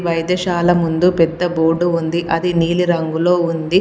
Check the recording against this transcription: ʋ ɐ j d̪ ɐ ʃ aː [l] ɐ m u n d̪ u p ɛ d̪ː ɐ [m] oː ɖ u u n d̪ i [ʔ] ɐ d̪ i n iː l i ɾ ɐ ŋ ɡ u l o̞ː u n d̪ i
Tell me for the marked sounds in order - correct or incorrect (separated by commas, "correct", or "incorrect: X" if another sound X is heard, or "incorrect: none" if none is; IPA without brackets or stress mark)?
correct, incorrect: b, correct